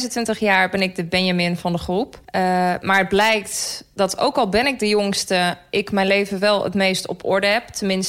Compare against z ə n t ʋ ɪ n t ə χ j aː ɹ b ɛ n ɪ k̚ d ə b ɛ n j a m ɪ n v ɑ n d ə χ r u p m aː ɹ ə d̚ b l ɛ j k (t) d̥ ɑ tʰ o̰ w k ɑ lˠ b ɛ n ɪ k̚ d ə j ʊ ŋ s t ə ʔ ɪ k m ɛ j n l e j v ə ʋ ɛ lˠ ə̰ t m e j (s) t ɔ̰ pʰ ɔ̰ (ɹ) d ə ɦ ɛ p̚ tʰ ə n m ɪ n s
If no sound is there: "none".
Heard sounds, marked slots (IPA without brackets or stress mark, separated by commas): t, s, ɹ